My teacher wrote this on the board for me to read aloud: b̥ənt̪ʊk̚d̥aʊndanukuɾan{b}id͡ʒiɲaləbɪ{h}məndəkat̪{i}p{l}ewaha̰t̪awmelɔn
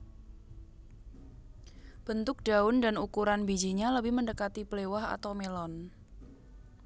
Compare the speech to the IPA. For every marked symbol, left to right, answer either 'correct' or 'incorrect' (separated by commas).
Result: correct, correct, correct, correct